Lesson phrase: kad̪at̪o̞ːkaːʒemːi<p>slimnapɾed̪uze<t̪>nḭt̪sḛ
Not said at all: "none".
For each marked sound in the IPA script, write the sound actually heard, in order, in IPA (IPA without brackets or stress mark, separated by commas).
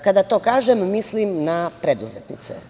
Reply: none, t̪